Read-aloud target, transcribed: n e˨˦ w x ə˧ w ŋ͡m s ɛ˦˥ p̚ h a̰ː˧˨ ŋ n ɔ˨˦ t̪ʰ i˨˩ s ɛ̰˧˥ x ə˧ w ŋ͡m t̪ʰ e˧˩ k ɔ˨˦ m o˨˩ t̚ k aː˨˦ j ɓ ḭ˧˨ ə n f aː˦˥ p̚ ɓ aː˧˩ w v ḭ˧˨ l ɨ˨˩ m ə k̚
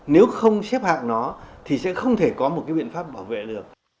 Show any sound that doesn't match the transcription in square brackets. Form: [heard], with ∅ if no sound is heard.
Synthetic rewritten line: n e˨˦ w x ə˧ w ŋ͡m s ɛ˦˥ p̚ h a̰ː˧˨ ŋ n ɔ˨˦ t̪ʰ i˨˩ s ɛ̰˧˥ x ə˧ w ŋ͡m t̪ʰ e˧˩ k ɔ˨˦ m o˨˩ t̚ k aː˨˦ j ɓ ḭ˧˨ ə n f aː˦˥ p̚ ɓ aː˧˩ w v [ḛ˧˨] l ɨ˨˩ [∅] ə k̚